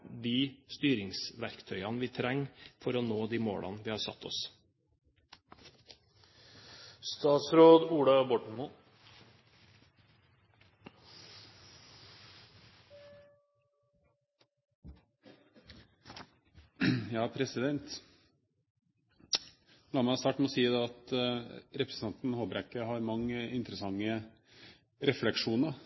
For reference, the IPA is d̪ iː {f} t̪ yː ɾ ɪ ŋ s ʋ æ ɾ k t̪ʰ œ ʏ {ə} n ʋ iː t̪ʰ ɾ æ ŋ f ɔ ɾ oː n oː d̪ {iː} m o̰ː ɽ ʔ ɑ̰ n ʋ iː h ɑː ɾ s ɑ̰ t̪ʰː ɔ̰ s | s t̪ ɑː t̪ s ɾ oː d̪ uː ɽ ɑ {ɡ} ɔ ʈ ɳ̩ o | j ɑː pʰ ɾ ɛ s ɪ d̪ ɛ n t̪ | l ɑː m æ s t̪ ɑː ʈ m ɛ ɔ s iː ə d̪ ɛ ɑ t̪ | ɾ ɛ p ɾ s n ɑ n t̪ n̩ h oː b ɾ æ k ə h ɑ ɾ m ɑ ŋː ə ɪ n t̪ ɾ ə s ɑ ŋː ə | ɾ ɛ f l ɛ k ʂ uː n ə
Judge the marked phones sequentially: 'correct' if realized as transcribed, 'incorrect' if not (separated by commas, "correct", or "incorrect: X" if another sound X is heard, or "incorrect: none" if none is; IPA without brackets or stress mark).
incorrect: s, incorrect: ɑ, correct, incorrect: b